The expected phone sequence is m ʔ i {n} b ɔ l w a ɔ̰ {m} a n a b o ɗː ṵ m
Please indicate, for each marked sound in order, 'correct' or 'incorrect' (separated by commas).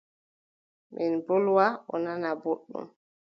correct, incorrect